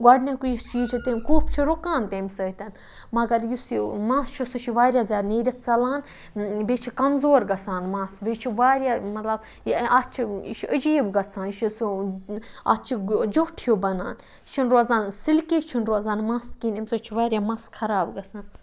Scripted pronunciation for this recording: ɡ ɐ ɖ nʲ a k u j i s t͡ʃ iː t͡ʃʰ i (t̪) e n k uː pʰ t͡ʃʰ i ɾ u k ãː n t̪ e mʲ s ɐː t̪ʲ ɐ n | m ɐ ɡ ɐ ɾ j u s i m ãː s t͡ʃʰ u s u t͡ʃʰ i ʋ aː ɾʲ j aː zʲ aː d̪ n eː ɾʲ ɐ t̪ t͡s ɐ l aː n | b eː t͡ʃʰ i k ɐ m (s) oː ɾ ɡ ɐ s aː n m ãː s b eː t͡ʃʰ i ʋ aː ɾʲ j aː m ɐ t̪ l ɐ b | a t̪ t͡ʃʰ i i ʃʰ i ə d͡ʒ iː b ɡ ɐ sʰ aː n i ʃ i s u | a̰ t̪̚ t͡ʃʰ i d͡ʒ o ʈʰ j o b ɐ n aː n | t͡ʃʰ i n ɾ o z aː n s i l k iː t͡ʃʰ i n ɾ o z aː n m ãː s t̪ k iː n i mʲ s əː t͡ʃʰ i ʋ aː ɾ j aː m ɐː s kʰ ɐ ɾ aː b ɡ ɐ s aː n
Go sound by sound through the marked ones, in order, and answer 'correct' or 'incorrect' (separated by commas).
correct, incorrect